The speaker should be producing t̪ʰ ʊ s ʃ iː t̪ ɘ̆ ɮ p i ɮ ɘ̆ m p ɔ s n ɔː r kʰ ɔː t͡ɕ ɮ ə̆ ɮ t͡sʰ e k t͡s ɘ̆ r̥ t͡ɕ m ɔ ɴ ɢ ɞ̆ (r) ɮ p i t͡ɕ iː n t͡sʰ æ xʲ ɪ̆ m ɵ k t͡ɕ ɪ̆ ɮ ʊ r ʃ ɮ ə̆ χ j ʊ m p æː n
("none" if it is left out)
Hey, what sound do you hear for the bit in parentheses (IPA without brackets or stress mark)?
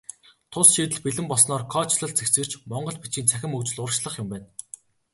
none